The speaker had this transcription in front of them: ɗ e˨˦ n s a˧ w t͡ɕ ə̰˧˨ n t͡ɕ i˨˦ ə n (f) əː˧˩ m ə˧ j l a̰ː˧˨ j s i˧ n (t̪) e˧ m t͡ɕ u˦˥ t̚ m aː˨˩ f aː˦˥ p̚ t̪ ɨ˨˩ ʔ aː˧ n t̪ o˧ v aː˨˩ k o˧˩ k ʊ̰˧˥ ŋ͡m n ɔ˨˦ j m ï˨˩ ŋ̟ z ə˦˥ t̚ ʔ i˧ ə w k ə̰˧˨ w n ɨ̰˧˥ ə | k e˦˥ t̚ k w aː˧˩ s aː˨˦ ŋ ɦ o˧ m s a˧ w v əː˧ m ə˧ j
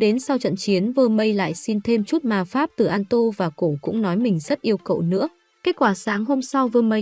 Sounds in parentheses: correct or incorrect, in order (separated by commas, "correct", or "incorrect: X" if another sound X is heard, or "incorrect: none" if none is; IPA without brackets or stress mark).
incorrect: v, incorrect: t̪ʰ